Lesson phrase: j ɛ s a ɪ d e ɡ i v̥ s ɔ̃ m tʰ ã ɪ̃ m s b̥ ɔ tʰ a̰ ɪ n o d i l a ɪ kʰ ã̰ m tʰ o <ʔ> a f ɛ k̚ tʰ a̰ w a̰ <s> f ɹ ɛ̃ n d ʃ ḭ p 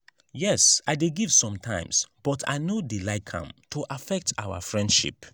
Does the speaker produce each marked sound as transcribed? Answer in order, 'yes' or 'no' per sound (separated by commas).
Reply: yes, no